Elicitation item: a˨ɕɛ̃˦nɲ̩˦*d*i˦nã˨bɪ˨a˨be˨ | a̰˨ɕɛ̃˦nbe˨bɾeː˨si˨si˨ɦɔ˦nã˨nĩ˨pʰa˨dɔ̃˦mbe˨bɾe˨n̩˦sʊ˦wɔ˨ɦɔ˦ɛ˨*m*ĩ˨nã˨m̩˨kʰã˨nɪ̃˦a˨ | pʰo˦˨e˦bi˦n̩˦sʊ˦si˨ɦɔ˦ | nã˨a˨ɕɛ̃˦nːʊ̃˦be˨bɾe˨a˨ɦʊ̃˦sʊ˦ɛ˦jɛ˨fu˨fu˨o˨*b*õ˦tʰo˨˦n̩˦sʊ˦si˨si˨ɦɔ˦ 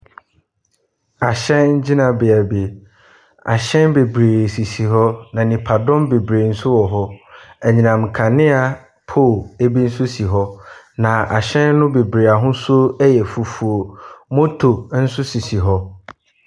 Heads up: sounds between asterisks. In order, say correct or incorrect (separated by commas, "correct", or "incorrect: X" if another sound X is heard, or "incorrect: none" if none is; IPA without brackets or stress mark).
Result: incorrect: d͡ʑ, incorrect: ɲ, incorrect: m